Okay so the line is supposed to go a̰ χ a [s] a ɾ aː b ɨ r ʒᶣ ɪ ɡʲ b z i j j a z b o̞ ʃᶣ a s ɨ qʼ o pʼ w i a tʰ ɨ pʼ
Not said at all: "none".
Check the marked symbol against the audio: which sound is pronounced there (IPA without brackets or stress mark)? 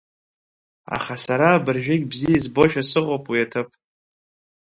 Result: s